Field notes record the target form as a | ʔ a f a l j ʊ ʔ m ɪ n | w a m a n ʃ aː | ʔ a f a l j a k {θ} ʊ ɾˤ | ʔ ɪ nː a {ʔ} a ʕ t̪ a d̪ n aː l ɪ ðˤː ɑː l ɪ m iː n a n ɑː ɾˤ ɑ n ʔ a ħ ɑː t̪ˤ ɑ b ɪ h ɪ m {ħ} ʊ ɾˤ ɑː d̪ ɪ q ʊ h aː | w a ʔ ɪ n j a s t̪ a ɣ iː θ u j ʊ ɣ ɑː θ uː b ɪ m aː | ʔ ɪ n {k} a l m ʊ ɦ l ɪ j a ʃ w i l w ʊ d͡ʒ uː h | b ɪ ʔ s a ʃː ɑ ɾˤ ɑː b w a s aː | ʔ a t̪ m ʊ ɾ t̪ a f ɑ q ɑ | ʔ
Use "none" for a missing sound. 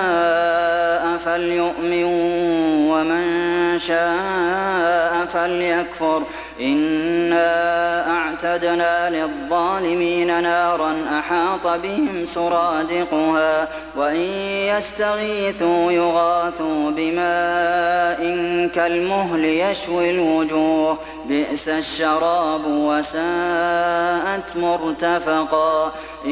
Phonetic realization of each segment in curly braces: f, ʔ, s, k

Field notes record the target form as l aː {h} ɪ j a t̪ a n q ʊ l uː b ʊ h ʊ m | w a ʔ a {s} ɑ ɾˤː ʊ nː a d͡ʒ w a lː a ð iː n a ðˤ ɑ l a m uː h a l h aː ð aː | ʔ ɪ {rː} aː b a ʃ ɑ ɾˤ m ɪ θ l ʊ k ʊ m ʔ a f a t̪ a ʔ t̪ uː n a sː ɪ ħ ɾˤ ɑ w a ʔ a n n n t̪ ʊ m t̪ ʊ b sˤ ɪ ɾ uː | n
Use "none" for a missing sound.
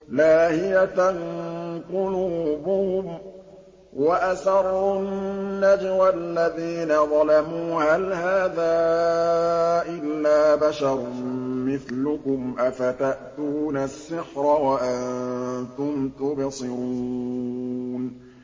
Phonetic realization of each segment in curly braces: h, s, lː

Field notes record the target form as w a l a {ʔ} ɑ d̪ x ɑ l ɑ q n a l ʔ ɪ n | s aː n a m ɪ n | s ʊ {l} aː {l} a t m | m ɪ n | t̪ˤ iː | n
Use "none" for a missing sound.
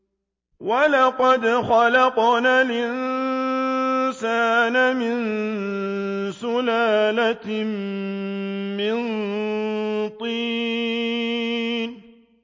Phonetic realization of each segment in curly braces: q, l, l

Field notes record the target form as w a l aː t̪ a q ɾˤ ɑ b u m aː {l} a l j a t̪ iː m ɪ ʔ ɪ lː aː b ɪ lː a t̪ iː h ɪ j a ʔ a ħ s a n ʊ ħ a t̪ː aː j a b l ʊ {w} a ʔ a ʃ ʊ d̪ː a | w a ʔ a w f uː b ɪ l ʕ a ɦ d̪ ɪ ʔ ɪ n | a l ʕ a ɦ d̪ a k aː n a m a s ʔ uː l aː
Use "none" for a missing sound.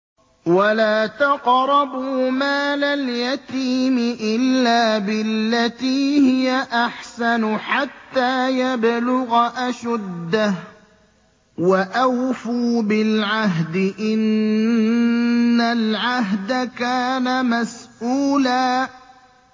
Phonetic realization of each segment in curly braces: l, ɣ

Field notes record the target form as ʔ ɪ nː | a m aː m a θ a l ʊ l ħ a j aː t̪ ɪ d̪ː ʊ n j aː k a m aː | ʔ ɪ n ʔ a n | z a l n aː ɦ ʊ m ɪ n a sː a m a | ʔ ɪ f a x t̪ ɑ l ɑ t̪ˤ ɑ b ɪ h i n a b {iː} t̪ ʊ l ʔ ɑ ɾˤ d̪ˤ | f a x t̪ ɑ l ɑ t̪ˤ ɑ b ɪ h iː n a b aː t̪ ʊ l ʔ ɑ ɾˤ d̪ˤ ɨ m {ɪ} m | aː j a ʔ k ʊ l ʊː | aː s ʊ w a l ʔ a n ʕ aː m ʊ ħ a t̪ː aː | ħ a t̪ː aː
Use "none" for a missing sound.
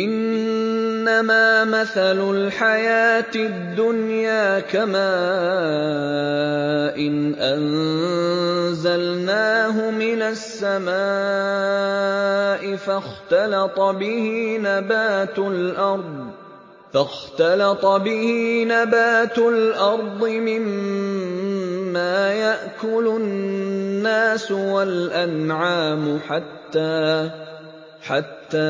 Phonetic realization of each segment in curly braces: aː, ɪ

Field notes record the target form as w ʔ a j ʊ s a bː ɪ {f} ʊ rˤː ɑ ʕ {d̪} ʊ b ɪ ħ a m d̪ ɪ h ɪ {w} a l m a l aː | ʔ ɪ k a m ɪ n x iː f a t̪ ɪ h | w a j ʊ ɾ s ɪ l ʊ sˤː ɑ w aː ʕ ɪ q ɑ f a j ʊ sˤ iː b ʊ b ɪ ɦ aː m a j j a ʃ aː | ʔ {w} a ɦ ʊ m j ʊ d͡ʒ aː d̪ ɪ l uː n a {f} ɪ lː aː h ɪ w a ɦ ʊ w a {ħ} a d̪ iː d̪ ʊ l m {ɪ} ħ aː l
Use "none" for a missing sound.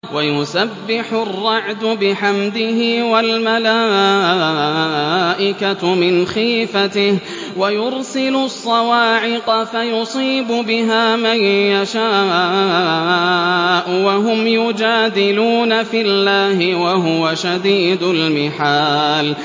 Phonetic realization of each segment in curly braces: ħ, d̪, w, w, f, ʃ, ɪ

